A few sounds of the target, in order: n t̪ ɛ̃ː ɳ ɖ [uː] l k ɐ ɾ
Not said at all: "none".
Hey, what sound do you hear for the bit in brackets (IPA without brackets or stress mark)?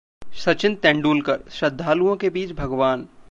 uː